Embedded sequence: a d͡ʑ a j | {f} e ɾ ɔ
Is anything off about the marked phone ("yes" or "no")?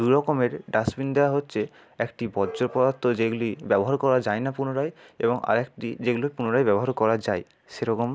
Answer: yes